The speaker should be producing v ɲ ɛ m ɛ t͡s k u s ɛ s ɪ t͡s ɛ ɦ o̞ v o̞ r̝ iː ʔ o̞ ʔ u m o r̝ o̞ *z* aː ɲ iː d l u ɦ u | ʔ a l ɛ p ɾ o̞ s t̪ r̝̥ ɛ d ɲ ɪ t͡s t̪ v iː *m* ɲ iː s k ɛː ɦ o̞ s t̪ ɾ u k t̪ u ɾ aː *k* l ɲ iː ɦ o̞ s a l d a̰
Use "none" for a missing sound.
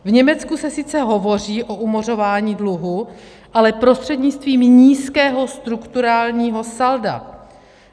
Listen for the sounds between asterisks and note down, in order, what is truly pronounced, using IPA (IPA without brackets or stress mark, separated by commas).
v, m, none